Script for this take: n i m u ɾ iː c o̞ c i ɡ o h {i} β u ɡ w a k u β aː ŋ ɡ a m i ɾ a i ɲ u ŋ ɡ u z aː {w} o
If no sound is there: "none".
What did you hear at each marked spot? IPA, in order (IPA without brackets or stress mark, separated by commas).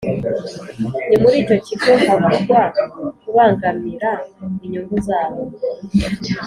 a, β